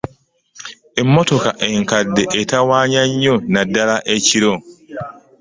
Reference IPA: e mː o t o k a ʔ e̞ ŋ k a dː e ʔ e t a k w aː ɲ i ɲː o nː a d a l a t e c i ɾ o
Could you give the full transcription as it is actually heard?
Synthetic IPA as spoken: e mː o t o k a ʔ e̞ ŋ k a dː e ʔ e t a w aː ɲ a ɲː o n a d a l a ʔ e c i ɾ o

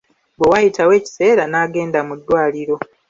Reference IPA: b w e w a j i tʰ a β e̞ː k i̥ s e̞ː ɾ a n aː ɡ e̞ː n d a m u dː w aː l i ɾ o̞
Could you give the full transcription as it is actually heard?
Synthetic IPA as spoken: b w e w a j i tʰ a w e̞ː c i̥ s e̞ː ɾ a n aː ɡ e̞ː n d a m u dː w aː l i ɾ o̞

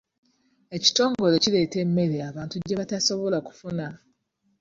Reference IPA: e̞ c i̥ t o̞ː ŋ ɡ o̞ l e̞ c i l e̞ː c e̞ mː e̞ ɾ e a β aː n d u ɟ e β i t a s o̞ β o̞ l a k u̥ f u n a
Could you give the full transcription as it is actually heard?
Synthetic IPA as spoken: e̞ c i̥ t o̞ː ŋ ɡ o̞ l e̞ c i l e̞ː t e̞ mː e̞ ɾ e a β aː n t u ɟ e β a t a s o̞ β o̞ l a k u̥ f u n a

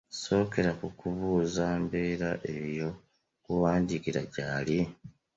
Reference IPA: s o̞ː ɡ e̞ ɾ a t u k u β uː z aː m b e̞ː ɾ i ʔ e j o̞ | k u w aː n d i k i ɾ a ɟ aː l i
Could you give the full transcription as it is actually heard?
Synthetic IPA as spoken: s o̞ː k e̞ ɾ a k u k u β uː z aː m b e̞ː ɾ a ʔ e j o̞ | k u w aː n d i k i ɾ a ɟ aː l i

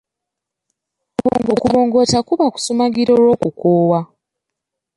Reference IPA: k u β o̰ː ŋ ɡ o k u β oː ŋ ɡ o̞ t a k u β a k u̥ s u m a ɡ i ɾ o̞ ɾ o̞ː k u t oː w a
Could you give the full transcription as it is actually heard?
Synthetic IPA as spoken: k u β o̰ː ŋ ɡ o k u β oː ŋ ɡ o̞ t a k u β a k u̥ s u m a ɡ i ɾ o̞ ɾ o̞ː k u k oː w a

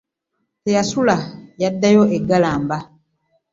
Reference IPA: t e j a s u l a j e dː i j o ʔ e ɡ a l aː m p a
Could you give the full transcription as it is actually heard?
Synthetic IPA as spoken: t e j a s u l a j a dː a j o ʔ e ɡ a l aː m b a

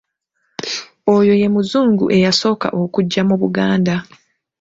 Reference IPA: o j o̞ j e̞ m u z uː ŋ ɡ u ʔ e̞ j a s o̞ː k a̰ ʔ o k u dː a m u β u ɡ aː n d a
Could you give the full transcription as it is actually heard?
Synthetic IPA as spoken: o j o̞ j e̞ m u z uː ŋ ɡ u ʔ e̞ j a s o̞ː k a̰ ʔ o k u ɟː a m u β u ɡ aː n d a

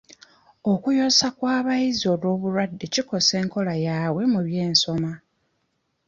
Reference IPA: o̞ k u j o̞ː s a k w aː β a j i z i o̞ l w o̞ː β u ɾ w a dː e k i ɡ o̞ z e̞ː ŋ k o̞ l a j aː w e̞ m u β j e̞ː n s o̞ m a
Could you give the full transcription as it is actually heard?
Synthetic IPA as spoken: o̞ k u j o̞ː s a k w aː β a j i z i o̞ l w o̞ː β u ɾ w a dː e c i k o̞ s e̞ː ŋ k o̞ l a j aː w e̞ m u β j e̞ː n s o̞ m a

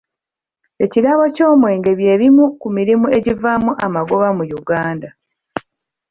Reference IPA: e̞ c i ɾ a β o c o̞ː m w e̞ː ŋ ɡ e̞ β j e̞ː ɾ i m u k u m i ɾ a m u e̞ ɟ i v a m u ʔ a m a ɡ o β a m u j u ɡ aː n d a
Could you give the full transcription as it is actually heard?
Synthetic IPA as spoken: e̞ c i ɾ a β o c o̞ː m w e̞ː ŋ ɡ e̞ β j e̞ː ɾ i m u k u m i ɾ i m u e̞ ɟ i v a m u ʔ a m a ɡ o β a m u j u ɡ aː n d a

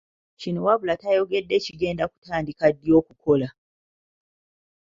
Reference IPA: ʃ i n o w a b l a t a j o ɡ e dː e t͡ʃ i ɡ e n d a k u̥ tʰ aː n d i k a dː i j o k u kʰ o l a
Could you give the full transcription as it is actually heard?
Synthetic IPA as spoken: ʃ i n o w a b l a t a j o ɡ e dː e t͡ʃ i ɡ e n d a k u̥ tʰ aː n d i k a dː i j o k u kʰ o l a

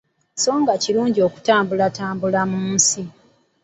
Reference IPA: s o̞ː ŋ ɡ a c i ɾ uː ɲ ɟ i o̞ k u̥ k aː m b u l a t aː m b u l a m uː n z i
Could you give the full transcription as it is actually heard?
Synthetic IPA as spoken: s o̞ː ŋ ɡ a c i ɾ uː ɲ ɟ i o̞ k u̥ t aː m b u l a t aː m b u l a m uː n s i

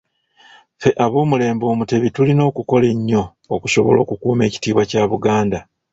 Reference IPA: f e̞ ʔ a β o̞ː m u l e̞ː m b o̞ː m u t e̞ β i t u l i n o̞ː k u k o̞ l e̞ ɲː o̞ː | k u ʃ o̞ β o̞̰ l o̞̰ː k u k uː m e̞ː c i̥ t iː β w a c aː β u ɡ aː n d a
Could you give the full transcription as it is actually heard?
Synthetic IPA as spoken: f e̞ ʔ a β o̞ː m u l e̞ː m b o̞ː m u t e̞ β i t u l i n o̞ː k u k o̞ l e̞ ɲː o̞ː | k u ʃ o̞ β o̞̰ l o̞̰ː k u k uː m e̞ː c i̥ t iː β w a c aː β u ɡ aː n d a

